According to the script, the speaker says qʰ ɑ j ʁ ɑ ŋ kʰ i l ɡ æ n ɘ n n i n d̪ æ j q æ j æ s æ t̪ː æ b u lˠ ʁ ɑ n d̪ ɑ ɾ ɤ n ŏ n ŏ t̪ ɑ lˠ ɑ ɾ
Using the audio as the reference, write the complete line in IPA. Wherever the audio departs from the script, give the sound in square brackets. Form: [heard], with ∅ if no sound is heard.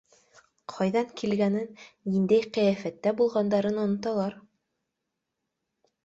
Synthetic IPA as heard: qʰ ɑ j [ð] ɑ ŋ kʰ i l ɡ æ n ɘ n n i n d̪ æ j q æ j æ [f] æ t̪ː æ b u lˠ ʁ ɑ n d̪ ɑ ɾ ɤ n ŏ n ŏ t̪ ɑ lˠ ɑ ɾ